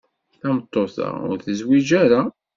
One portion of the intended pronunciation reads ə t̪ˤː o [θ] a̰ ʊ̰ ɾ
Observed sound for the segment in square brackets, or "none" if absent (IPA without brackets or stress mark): θ